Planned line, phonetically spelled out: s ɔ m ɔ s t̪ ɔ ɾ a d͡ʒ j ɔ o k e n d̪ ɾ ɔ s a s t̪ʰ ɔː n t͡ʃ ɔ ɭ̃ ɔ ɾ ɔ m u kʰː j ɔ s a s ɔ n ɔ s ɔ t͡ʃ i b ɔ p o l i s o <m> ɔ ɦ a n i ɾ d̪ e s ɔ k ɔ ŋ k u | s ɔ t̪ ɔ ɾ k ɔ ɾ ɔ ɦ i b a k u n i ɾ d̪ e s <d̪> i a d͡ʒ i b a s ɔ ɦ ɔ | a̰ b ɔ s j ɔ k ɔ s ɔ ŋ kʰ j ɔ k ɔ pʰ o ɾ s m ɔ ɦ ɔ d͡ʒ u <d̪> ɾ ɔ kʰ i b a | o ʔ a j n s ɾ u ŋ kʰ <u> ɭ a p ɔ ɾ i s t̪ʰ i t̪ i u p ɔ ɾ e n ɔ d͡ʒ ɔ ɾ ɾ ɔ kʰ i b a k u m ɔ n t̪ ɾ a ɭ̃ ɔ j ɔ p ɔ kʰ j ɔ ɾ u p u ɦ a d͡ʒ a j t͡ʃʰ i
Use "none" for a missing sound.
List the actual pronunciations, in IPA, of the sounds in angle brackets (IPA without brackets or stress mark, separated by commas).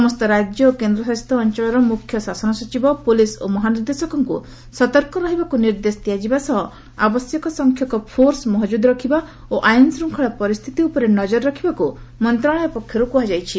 m, t̪, d̪, ɔ